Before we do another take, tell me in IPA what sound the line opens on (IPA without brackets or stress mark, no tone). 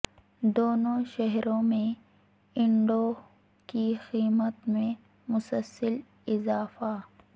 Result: d̪